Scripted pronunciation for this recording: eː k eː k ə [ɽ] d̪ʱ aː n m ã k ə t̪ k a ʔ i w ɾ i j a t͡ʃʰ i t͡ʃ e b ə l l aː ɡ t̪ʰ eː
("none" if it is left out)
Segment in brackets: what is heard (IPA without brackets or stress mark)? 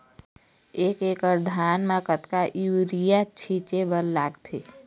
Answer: ɾ